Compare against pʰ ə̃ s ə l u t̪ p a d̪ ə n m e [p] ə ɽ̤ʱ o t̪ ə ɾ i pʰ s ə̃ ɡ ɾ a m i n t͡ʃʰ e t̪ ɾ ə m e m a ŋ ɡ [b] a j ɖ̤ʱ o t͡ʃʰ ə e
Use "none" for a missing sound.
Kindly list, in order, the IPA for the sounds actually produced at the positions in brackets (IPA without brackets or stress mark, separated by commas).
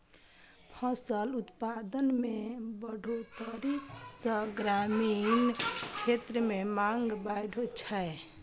b, b